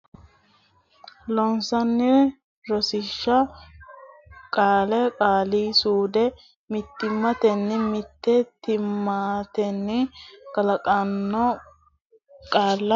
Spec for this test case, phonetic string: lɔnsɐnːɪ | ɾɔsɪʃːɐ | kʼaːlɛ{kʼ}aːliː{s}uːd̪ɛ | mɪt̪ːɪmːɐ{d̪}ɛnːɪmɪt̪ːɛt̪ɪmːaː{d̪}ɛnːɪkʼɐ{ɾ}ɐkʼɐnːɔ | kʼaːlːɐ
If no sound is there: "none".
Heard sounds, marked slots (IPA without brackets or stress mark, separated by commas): kʼ, s, t̪, t̪, l